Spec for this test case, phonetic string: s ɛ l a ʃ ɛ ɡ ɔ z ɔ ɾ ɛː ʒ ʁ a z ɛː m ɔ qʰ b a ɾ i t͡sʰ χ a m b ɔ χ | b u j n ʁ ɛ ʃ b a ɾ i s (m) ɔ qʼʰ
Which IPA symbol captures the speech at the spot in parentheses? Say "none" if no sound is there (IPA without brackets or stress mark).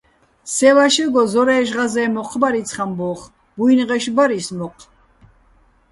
m